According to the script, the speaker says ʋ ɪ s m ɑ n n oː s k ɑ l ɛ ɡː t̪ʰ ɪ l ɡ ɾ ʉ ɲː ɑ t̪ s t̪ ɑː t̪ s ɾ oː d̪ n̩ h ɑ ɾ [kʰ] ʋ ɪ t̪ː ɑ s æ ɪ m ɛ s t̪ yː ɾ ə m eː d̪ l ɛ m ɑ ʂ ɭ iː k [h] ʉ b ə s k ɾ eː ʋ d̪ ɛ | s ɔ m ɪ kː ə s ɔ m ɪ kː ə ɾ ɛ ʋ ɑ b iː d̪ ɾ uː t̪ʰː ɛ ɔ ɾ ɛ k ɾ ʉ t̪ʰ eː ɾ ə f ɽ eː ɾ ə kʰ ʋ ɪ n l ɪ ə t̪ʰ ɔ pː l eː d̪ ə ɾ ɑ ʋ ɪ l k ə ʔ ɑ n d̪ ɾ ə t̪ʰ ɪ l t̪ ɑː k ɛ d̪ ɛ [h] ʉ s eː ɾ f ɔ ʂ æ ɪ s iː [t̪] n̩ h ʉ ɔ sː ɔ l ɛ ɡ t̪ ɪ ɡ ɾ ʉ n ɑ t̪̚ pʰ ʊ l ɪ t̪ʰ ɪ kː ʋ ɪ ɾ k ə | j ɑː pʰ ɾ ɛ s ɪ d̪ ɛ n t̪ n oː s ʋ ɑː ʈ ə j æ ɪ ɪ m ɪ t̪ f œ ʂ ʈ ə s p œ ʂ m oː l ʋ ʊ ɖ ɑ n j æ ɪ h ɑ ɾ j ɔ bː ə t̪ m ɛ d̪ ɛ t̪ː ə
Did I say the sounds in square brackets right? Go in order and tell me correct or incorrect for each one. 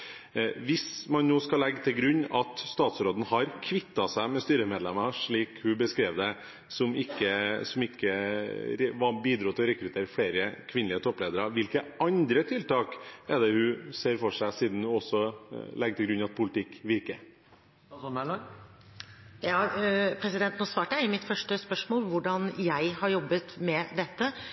correct, correct, correct, incorrect: d̪

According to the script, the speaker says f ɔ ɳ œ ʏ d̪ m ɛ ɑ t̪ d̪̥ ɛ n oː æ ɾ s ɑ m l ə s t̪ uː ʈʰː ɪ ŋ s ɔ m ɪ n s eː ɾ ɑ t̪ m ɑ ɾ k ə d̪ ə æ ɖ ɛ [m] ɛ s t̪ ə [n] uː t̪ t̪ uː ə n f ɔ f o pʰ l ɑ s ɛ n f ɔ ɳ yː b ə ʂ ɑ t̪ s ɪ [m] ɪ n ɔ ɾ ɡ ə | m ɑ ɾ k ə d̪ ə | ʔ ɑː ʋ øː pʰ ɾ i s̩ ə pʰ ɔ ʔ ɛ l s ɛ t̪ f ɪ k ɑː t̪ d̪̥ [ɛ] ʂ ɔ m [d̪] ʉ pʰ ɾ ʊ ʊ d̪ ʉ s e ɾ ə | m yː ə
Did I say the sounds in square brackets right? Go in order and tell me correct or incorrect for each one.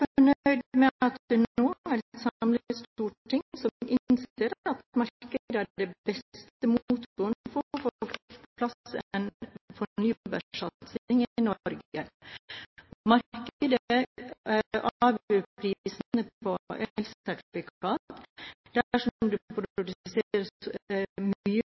incorrect: b, incorrect: m, incorrect: ŋ, incorrect: æ, correct

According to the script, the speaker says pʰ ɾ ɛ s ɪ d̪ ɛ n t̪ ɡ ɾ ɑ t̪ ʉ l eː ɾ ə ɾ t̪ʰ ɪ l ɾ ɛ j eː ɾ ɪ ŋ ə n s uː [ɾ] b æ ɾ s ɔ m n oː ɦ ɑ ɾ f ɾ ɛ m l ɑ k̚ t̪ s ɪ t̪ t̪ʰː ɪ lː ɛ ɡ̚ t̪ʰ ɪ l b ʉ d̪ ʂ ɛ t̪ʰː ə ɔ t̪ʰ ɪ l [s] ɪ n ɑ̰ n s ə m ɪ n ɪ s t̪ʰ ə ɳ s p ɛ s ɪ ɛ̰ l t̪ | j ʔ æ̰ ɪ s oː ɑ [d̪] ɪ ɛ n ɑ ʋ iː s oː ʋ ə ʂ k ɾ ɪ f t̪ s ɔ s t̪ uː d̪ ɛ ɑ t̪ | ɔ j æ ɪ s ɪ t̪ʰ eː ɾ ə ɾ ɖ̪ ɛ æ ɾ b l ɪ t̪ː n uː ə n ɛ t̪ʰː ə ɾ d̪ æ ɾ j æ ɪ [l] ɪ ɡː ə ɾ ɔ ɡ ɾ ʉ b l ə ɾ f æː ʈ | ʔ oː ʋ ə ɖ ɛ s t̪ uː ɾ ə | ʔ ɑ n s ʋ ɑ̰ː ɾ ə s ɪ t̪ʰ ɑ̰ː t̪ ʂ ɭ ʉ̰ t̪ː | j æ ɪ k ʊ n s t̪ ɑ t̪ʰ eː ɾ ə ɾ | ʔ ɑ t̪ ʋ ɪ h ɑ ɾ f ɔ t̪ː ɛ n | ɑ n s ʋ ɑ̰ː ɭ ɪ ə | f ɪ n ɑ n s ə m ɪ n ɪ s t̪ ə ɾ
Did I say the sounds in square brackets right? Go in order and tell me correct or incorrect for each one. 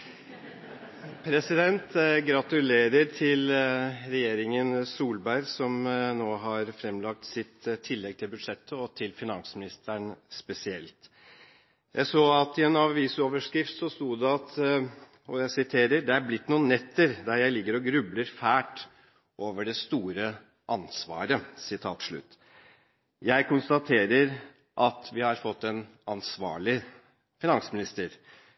incorrect: l, incorrect: f, incorrect: t̪, correct

